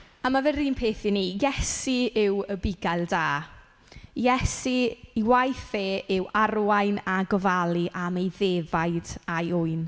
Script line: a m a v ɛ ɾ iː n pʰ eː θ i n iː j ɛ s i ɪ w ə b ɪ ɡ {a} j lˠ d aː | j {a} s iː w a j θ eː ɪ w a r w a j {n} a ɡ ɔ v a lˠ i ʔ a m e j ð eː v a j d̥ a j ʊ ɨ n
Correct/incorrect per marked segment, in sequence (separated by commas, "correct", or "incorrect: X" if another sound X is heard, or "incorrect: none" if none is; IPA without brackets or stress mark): correct, incorrect: ɛ, correct